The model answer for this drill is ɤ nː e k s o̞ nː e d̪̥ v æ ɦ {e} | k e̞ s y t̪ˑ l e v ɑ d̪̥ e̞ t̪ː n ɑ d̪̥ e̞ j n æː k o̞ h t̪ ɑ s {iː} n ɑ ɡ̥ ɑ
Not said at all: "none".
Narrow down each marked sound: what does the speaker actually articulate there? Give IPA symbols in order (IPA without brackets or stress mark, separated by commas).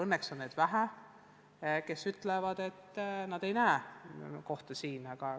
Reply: æ, iː